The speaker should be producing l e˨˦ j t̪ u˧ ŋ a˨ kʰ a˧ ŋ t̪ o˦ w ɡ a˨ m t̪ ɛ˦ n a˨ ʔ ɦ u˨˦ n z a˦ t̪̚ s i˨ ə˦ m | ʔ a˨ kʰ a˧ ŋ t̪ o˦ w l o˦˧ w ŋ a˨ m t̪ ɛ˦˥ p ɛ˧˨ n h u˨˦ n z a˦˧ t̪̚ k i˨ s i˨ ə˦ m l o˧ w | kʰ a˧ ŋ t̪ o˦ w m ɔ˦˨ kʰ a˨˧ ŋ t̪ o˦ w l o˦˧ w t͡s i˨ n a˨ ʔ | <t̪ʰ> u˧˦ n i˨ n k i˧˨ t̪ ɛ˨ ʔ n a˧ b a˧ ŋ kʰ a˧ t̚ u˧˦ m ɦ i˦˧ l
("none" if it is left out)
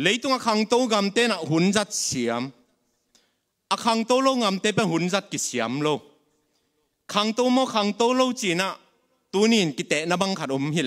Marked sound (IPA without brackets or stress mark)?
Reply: t̪